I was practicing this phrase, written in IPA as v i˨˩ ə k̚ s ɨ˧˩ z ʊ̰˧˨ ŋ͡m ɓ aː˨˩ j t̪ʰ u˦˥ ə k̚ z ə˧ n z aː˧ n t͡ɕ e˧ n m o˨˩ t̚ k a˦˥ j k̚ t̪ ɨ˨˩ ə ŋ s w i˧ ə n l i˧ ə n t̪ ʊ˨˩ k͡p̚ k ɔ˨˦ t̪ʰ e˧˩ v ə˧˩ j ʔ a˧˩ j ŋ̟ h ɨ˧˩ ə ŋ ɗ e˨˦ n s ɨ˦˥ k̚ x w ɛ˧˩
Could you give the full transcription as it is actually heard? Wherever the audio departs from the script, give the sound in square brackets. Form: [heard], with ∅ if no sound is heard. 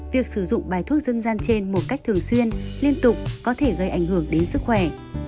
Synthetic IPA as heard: v i˨˩ ə k̚ s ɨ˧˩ z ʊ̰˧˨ ŋ͡m ɓ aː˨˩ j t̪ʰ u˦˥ ə k̚ z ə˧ n z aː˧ n t͡ɕ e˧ n m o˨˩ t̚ k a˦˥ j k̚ t̪ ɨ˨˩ ə ŋ s w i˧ ə n l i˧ ə n t̪ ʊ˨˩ k͡p̚ k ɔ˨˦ t̪ʰ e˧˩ [ɣ] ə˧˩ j ʔ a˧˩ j ŋ̟ h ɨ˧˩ ə ŋ ɗ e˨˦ n s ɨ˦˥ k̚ x w ɛ˧˩